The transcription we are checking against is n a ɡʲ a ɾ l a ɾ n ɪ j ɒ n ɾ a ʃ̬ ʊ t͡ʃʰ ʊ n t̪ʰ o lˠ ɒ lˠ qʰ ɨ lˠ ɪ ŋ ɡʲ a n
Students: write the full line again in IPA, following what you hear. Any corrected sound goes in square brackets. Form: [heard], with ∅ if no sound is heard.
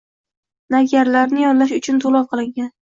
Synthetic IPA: n a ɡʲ a ɾ l a ɾ n ɪ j ɒ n [l] a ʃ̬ ʊ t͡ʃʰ ʊ n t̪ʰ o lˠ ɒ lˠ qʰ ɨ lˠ ɪ ŋ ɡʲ a n